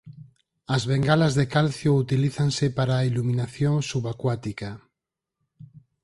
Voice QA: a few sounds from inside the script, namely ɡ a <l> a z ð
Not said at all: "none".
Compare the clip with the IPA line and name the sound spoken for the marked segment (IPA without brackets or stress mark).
l